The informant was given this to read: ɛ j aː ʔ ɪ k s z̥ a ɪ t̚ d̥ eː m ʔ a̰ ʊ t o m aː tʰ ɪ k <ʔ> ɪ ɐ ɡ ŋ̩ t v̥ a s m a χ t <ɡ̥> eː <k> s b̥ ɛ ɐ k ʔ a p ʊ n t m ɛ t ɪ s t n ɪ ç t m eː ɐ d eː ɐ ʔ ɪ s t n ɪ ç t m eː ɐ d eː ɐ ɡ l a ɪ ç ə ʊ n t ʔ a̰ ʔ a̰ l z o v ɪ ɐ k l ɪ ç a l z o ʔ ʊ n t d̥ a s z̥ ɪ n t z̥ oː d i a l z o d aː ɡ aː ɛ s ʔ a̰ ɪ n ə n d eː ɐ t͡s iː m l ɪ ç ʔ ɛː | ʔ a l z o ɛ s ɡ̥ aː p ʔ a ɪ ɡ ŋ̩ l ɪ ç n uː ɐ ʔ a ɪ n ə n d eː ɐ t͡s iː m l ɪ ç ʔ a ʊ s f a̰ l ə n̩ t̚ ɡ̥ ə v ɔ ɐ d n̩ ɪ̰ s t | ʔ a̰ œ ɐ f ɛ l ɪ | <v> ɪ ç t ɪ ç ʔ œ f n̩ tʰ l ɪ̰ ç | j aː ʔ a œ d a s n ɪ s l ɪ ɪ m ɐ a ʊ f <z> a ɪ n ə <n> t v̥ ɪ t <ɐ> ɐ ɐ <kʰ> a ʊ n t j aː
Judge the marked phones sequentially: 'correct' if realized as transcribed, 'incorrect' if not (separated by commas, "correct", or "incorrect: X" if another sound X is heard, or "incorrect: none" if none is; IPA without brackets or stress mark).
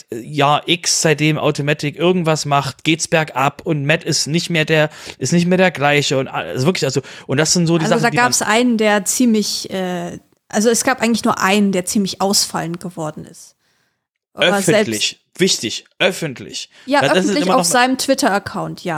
correct, correct, incorrect: t, correct, correct, incorrect: m, correct, correct